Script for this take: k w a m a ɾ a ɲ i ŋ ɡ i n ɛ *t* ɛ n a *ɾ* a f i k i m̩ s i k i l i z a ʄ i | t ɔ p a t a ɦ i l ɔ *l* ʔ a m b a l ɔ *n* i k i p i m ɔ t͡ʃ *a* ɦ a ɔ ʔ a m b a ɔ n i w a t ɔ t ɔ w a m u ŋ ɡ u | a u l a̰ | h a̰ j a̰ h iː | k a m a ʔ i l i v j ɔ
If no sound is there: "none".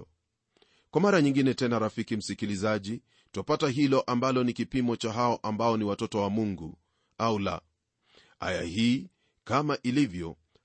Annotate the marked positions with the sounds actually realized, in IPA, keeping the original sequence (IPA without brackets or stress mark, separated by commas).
t, ɾ, none, n, a